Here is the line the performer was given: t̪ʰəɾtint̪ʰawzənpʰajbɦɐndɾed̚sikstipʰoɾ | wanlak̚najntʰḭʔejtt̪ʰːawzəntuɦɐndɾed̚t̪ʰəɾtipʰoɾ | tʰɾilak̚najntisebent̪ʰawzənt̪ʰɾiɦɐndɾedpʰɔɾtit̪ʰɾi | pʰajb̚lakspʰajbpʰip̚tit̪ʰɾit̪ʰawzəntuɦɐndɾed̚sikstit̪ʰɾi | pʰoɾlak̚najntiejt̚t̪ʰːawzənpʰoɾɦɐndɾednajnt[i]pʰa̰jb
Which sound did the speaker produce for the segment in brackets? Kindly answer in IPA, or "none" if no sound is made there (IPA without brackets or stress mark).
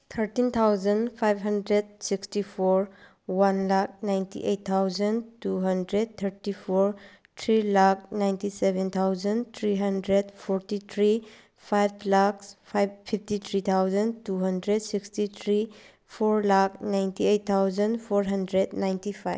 i